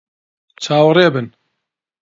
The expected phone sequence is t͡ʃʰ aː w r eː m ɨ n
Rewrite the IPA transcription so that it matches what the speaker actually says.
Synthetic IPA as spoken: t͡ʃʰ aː w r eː b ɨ n